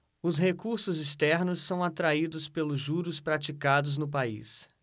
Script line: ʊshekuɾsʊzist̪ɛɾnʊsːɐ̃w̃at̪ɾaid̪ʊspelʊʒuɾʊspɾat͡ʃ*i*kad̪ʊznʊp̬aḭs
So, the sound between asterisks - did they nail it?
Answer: yes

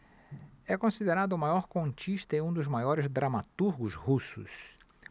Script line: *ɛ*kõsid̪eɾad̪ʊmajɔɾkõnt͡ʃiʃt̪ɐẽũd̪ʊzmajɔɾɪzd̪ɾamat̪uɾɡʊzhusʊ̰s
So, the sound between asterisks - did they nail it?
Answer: yes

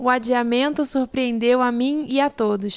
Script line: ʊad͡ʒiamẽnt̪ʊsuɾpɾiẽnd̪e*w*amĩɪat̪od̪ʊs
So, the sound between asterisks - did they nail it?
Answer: yes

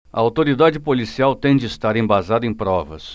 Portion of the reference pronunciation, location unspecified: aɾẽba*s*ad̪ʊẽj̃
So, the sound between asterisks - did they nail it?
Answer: no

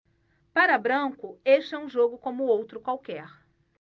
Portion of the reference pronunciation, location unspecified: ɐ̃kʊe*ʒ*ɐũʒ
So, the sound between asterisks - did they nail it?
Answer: no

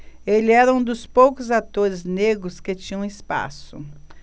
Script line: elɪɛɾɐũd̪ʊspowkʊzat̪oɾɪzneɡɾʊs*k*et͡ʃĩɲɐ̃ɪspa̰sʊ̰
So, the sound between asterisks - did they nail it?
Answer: yes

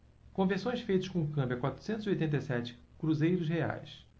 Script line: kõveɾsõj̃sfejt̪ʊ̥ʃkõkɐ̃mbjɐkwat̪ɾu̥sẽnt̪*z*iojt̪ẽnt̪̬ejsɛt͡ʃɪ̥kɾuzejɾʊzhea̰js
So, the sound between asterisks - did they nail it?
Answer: yes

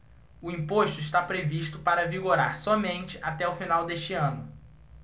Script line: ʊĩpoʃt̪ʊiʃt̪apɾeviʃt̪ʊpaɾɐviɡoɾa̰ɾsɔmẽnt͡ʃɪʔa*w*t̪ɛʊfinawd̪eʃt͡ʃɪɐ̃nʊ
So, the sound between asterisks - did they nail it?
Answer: no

